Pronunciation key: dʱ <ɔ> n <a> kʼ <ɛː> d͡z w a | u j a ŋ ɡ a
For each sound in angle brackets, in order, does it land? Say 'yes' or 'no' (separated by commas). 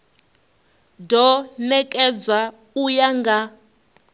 yes, no, no